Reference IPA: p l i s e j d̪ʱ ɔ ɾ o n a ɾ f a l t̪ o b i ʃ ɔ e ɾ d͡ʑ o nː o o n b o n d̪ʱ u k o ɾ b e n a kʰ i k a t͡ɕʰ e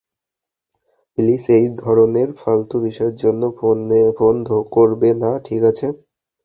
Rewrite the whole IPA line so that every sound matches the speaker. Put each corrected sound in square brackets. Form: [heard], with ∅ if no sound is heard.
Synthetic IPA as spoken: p l i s e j d̪ʱ ɔ ɾ o n [e] ɾ f a l t̪ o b i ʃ ɔ e ɾ d͡ʑ o nː o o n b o n d̪ʱ [o] k o ɾ b e n a [ʈʰ] i k a t͡ɕʰ e